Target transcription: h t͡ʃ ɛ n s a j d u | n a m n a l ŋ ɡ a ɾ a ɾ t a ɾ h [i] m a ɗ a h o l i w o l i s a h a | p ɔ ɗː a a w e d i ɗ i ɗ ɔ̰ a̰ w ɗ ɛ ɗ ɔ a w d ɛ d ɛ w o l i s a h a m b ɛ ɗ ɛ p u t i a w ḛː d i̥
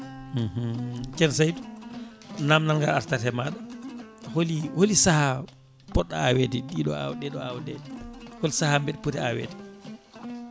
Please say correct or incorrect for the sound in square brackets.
incorrect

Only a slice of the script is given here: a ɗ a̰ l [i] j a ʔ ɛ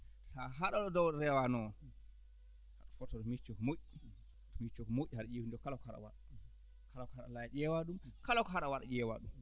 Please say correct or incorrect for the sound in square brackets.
incorrect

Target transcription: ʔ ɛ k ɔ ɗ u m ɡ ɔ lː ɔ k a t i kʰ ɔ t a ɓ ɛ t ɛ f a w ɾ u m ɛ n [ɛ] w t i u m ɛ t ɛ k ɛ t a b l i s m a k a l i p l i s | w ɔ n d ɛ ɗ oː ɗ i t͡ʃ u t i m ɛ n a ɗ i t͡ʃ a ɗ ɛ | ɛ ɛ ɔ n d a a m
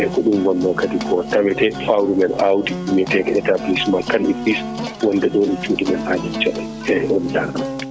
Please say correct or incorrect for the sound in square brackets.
incorrect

